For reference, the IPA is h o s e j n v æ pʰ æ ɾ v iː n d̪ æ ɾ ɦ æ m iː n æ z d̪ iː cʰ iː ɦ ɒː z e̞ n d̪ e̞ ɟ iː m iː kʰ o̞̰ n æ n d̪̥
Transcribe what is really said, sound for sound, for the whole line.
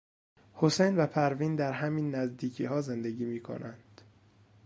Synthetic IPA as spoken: h o s e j n v æ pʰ æ ɾ v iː n d̪ æ ɾ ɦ æ m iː nː æ z d̪ iː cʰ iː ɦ ɒː z e̞ n d̪ e̞ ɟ iː m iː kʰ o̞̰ n æ n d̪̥